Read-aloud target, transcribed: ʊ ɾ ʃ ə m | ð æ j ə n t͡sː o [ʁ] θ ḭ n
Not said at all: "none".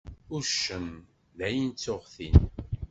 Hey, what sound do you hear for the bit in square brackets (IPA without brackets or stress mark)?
ʁ